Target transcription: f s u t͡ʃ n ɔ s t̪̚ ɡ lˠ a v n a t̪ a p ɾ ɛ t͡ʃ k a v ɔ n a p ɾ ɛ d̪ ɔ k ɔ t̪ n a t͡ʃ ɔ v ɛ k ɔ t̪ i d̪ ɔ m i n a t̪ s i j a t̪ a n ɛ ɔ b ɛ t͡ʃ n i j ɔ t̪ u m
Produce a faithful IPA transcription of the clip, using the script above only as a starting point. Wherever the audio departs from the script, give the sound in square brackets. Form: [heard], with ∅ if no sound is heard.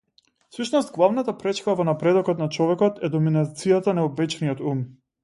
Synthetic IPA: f s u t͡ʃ n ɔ s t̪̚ ɡ lˠ a v n a t̪ a p ɾ ɛ t͡ʃ k a v ɔ n a p ɾ ɛ d̪ ɔ k ɔ t̪ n a t͡ʃ ɔ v ɛ k ɔ t̪ [ɛ] d̪ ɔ m i n a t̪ s i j a t̪ a n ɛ ɔ b ɛ t͡ʃ n i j ɔ t̪ u m